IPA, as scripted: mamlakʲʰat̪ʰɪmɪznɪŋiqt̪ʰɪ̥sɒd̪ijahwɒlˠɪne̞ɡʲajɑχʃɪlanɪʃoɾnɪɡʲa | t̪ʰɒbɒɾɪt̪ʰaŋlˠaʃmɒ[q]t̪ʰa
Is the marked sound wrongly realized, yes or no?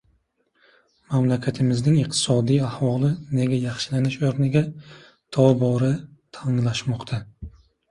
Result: no